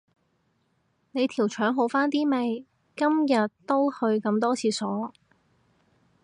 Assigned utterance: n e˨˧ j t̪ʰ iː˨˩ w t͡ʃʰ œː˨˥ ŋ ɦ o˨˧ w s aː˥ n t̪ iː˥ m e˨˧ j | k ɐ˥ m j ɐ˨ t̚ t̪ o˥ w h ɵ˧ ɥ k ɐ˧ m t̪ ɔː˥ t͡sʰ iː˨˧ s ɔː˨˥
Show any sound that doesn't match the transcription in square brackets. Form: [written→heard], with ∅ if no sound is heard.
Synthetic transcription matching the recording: n e˨˧ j t̪ʰ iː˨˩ w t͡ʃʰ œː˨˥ ŋ ɦ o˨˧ w [s→f] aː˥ n t̪ iː˥ m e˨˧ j | k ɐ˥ m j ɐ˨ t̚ t̪ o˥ w h ɵ˧ ɥ k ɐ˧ m t̪ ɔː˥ t͡sʰ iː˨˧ s ɔː˨˥